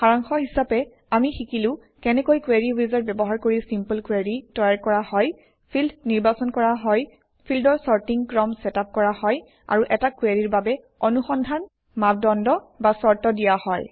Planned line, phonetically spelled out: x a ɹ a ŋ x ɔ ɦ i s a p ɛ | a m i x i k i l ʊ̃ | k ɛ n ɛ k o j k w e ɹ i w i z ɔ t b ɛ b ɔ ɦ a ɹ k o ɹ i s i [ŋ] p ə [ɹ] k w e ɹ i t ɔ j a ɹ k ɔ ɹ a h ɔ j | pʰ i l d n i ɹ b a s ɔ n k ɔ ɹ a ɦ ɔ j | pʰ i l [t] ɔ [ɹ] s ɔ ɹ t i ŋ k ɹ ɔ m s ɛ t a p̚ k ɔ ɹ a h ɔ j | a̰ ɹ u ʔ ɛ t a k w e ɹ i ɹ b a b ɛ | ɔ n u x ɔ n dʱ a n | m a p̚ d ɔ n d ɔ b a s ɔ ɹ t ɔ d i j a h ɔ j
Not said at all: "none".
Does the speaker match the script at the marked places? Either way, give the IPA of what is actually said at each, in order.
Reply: m, l, d, ɹ

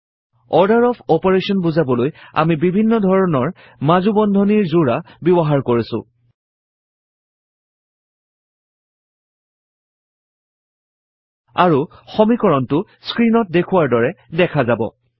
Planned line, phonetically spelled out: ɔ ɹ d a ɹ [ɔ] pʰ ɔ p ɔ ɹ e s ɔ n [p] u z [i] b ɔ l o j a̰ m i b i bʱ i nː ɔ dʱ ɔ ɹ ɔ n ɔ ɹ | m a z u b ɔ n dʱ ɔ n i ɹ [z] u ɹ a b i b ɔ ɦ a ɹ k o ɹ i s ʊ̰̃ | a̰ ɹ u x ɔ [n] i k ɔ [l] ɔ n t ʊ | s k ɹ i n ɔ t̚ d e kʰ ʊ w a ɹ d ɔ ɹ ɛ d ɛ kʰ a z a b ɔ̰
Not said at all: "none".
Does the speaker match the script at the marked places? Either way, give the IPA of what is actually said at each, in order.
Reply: ɔ, b, a, z, m, ɹ

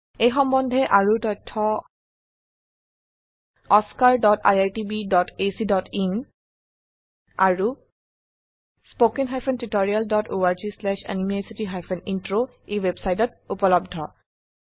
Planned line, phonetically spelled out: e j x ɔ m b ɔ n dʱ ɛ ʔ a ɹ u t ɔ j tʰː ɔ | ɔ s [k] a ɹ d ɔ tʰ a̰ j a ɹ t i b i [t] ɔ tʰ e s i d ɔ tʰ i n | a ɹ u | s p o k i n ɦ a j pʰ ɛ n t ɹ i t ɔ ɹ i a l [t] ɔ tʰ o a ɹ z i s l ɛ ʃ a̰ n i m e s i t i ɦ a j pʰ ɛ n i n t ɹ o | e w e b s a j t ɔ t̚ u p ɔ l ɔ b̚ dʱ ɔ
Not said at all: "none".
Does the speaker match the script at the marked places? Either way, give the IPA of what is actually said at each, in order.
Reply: k, d, d

